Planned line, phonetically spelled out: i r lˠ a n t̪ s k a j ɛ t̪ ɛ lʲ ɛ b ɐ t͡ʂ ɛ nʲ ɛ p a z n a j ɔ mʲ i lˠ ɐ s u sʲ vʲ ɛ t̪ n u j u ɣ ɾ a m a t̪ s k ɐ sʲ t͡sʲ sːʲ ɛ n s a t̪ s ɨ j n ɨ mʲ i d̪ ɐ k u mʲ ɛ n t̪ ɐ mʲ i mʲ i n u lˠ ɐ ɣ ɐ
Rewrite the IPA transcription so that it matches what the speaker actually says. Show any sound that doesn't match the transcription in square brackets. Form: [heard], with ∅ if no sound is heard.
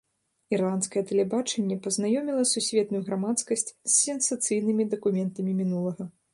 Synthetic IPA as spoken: i r lˠ a n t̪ s k [ɐ] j ɛ t̪ ɛ lʲ ɛ b [a] t͡ʂ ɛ [nʲː] ɛ p [ɐ] z n a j ɔ mʲ i lˠ ɐ s u sʲ vʲ ɛ t̪ n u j u ɣ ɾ a m a t̪ s k ɐ sʲ t͡sʲ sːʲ ɛ n s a t̪ s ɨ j n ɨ mʲ i d̪ ɐ k u mʲ ɛ n t̪ ɐ mʲ i mʲ i n u lˠ ɐ ɣ ɐ

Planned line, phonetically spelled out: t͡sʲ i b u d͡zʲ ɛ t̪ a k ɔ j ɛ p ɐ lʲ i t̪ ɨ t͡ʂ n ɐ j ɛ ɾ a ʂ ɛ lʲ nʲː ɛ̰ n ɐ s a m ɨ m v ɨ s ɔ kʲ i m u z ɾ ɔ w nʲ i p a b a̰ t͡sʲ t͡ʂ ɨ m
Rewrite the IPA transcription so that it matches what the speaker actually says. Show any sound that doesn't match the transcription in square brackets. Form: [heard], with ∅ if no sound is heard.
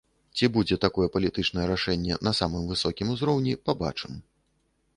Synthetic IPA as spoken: t͡sʲ i b u d͡zʲ ɛ t̪ a k ɔ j ɛ p ɐ lʲ i t̪ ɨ t͡ʂ n ɐ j ɛ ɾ a ʂ ɛ [∅] nʲː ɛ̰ n ɐ s a m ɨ m v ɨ s ɔ kʲ i m u z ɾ ɔ w nʲ i p a b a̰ [∅] t͡ʂ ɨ m

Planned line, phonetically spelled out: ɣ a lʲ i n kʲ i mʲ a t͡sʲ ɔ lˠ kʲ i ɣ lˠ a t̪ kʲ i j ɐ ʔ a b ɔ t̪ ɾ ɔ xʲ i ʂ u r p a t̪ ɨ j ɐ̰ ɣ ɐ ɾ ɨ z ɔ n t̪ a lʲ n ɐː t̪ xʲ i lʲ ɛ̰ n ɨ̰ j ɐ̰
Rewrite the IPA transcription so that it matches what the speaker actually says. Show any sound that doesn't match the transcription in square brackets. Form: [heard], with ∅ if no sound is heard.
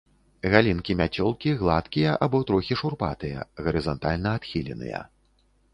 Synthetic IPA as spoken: ɣ a lʲ i n kʲ i mʲ a t͡sʲ ɔ lˠ kʲ i ɣ lˠ a t̪ kʲ i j ɐ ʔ a b ɔ t̪ ɾ ɔ xʲ i ʂ u r p a t̪ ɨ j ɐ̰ ɣ ɐ ɾ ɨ z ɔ n t̪ a lʲ n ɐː t̪ xʲ i lʲ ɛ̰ n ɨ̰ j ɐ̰

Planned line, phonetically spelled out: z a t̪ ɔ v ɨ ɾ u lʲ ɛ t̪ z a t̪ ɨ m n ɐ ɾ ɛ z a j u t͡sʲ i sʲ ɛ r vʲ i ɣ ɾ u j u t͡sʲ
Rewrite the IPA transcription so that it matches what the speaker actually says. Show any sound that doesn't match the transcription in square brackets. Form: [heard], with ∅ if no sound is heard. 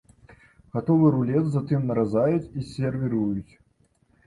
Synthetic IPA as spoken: [ɣ] a t̪ ɔ v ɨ ɾ u lʲ ɛ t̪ z a t̪ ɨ m n ɐ ɾ [a] z a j u t͡sʲ i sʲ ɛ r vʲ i [∅] ɾ u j u t͡sʲ

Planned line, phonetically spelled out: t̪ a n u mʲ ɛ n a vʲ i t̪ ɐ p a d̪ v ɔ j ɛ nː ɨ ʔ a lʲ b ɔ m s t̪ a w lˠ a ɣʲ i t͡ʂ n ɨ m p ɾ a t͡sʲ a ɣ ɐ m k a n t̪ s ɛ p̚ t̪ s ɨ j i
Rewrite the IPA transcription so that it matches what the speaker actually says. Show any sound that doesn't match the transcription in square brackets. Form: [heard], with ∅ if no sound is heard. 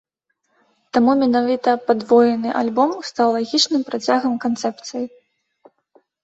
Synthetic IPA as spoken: t̪ a [m] u mʲ ɛ n a vʲ i t̪ ɐ p a d̪ v ɔ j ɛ [n] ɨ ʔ a lʲ b ɔ m s t̪ a w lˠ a ɣʲ i t͡ʂ n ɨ m p ɾ a t͡sʲ a ɣ ɐ m k a n t̪ s ɛ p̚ t̪ s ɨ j i

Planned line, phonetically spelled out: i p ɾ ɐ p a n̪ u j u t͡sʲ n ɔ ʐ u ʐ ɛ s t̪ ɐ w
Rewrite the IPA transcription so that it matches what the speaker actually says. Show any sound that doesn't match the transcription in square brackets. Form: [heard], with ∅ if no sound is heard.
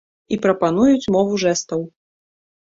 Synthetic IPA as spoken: i p ɾ ɐ p a n̪ u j u t͡sʲ [m] ɔ [v] u ʐ ɛ s t̪ ɐ w

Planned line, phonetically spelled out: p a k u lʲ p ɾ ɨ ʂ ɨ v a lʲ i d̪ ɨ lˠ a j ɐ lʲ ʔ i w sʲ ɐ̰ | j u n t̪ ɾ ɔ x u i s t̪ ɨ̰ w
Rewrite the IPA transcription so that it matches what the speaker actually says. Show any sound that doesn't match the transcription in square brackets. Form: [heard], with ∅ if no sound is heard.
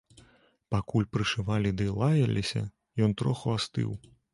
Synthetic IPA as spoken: p a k u lʲ p ɾ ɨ ʂ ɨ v a lʲ i d̪ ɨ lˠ a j ɐ lʲ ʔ i [∅] sʲ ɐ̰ | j [ɔ] n t̪ ɾ ɔ x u [a] s t̪ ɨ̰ w

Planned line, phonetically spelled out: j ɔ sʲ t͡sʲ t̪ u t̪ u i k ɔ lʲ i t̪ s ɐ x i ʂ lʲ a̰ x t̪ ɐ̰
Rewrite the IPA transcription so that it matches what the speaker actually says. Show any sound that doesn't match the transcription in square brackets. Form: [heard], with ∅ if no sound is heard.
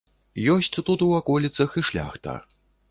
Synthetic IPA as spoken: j ɔ sʲ t͡sʲ t̪ u t̪ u [a] k ɔ lʲ i t̪ s ɐ x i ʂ lʲ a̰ x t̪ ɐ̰

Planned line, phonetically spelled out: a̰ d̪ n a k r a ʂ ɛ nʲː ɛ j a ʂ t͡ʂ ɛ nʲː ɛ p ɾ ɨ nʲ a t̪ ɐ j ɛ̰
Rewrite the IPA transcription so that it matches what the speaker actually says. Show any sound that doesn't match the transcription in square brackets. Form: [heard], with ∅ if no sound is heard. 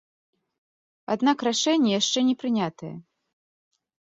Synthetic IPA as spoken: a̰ d̪ n a k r a ʂ ɛ nʲː ɛ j a ʂ t͡ʂ ɛ [nʲ] ɛ p ɾ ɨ nʲ a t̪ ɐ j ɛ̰

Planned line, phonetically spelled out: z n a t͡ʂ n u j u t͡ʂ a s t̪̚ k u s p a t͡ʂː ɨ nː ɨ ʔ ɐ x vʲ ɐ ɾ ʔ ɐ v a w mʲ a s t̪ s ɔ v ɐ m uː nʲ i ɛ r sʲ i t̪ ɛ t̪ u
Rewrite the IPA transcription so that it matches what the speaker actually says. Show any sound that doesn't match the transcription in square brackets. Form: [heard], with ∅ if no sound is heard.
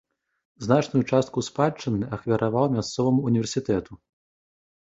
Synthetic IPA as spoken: z n a t͡ʂ n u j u t͡ʂ a s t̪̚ k u s p a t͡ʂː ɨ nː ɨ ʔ ɐ x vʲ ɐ ɾ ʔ [a] v a w mʲ a s t̪ s ɔ v ɐ m uː nʲ i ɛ r sʲ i t̪ ɛ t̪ u

